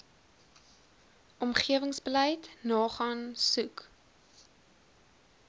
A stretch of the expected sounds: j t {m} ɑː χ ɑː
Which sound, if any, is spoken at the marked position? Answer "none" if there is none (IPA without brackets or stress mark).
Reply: n